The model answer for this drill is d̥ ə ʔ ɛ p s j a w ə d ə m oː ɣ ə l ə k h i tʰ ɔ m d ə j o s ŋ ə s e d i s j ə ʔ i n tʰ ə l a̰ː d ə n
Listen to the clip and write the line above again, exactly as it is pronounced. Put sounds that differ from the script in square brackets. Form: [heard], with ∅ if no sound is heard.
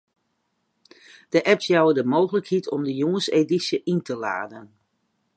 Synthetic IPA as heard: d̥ ə ʔ ɛ p s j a w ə d ə m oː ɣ ə l ə k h i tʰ ɔ m d ə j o [∅] ŋ ə s e d i s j ə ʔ i n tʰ ə l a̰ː d ə n